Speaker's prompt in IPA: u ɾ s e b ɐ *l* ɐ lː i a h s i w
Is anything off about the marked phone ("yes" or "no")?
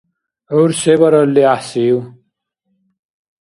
yes